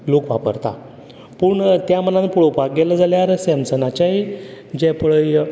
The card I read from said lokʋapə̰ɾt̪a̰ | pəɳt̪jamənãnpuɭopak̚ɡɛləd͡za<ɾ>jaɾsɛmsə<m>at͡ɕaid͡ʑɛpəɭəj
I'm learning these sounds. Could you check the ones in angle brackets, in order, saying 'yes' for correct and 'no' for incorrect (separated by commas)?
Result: no, no